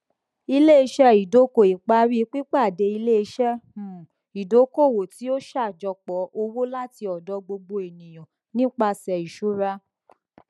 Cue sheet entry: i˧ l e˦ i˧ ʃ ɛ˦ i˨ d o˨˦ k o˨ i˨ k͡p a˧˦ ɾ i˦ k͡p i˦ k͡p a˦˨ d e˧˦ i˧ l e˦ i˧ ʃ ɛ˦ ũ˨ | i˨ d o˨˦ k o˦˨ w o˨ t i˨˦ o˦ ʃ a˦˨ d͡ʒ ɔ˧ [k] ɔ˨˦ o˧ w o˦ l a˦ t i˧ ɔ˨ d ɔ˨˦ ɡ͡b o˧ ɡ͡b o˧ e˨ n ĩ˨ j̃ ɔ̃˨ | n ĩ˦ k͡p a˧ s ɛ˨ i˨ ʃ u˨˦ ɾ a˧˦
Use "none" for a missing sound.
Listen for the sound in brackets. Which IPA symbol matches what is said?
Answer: k͡p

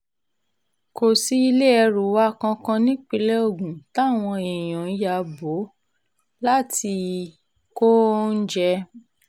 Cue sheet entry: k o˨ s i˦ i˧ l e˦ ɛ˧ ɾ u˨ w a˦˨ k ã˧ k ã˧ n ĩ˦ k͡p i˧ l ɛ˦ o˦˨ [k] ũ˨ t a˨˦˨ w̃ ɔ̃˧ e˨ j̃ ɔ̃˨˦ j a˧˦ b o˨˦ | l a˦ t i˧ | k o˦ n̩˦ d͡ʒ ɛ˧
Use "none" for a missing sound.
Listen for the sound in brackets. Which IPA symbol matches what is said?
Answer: ɡ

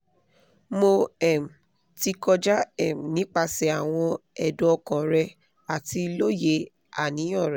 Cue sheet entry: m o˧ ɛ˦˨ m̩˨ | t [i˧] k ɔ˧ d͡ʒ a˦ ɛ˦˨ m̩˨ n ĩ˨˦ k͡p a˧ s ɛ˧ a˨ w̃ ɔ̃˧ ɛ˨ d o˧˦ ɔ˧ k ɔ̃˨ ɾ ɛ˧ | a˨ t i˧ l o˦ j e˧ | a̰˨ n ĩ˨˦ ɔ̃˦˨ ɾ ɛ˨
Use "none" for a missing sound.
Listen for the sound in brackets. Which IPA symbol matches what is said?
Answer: i˧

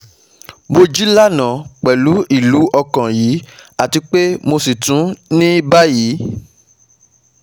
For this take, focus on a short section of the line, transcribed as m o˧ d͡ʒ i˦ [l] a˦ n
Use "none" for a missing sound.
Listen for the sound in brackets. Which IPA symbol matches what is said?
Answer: l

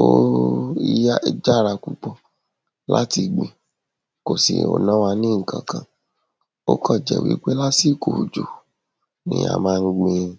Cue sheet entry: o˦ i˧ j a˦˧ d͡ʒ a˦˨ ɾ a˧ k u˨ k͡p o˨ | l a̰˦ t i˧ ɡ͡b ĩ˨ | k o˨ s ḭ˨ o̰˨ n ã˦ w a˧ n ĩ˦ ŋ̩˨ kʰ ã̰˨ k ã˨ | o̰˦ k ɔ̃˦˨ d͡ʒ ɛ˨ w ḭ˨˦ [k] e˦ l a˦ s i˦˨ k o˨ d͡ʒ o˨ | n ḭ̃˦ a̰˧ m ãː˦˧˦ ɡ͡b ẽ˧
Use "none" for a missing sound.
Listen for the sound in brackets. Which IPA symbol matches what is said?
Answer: k͡p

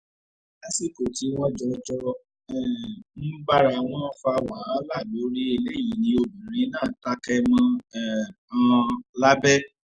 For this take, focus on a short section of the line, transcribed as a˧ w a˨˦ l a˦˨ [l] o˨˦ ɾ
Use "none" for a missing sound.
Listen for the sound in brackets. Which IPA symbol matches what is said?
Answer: l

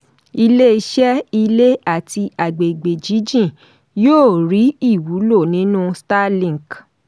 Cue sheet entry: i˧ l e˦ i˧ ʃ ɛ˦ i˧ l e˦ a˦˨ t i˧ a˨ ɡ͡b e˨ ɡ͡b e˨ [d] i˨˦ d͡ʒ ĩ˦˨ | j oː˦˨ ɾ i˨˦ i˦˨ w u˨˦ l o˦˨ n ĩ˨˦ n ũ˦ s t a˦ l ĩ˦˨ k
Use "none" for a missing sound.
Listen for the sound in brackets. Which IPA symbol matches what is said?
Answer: d͡ʒ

